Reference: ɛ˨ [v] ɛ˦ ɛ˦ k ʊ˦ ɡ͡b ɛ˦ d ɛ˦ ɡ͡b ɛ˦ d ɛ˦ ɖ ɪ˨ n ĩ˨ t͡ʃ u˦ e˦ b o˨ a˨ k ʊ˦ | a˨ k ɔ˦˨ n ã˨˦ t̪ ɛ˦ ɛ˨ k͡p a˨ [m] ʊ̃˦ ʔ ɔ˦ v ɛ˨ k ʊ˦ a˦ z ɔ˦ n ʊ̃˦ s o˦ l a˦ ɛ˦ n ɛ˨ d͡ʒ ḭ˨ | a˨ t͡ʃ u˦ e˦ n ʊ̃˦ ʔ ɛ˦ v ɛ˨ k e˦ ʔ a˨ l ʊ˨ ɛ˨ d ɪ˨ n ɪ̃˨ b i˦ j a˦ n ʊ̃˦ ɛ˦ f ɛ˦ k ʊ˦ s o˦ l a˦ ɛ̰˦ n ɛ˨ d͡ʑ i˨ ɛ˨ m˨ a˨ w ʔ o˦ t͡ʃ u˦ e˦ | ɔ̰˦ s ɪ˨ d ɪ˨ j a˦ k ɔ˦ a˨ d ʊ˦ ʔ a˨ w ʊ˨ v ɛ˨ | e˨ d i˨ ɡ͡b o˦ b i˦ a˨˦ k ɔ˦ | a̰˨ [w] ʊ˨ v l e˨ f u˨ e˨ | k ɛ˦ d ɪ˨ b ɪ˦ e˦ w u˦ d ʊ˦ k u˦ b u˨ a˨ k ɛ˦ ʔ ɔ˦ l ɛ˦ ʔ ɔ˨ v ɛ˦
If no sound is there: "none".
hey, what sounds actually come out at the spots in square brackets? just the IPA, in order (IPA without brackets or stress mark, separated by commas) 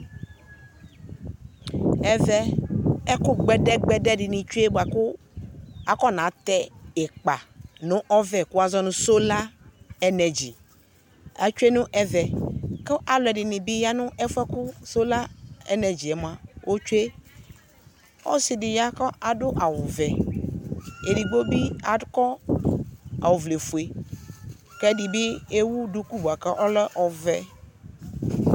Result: v, n, w